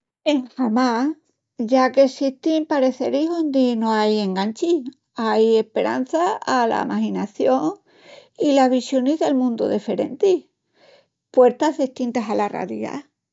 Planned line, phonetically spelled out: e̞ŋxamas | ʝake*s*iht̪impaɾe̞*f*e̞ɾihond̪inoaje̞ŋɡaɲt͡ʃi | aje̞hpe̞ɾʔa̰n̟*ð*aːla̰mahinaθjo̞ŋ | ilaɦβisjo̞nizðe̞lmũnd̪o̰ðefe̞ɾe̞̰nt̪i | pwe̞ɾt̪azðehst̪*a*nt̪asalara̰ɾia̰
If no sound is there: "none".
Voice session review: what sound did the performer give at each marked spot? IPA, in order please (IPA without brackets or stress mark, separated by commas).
s, θ, θ, i